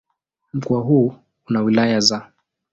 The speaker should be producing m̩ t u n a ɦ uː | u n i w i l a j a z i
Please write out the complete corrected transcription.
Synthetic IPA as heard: m̩ k u a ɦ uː | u n a w i l a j a z a